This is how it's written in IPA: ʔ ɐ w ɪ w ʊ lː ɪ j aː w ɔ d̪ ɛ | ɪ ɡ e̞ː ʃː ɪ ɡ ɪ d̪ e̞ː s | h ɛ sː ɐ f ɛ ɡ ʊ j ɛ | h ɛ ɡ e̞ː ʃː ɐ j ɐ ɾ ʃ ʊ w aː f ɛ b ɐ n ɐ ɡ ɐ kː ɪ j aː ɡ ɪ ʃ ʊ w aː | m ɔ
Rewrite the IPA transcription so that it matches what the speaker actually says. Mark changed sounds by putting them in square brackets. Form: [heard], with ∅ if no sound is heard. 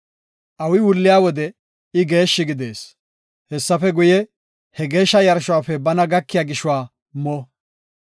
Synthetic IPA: ʔ ɐ w ɪ w ʊ lː ɪ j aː w ɔ d̪ ɛ | ɪ ɡ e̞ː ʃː ɪ ɡ ɪ d̪ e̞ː s | h ɛ sː ɐ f ɛ ɡ ʊ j ɛ | h ɛ ɡ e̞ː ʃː ɐ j ɐ ɾ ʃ ʊ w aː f ɛ b ɐ n ɐ ɡ ɐ kː ɪ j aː ɡ ɪ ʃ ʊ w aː | m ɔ